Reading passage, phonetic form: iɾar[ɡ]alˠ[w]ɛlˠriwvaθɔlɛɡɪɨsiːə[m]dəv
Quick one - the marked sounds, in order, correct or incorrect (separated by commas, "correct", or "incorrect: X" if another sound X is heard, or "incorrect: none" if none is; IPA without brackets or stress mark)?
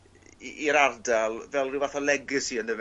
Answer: incorrect: d, incorrect: v, incorrect: n